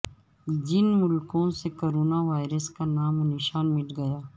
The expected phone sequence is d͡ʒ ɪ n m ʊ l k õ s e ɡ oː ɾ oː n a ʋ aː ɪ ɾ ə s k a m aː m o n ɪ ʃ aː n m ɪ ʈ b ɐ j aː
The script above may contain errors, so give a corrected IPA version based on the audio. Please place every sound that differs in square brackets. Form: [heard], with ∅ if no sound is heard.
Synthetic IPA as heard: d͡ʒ ɪ n m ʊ l k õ s e [k] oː ɾ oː n a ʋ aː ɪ ɾ ə s k a [n] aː m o n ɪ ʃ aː n m ɪ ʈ [ɡ] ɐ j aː